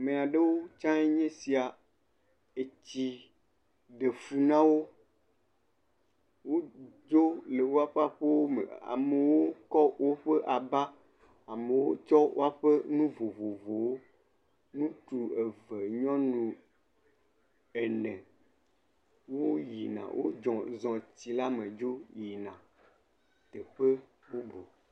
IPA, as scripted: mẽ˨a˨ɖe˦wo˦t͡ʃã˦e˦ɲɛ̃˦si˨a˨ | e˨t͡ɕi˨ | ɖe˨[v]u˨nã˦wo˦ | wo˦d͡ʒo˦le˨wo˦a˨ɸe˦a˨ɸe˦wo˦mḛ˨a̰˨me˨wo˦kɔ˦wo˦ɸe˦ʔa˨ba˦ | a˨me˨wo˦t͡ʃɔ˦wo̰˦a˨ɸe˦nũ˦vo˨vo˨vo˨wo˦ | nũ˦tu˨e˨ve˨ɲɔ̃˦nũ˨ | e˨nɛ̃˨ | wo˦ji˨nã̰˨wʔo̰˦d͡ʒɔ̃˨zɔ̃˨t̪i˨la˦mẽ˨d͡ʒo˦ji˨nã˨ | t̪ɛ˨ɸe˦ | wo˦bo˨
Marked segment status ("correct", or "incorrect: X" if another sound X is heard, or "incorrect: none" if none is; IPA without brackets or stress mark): incorrect: f